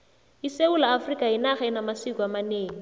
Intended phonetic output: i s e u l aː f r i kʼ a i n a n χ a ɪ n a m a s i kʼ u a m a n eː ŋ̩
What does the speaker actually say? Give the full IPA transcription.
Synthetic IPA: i s e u l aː f r i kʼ a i n a χ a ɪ n a m a s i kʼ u a m a n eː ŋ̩